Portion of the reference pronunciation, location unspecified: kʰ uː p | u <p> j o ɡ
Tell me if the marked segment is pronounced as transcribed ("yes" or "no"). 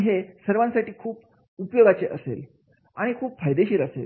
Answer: yes